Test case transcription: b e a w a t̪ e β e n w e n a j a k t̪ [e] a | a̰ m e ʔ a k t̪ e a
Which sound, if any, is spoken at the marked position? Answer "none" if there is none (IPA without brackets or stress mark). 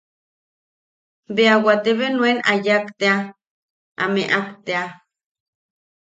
e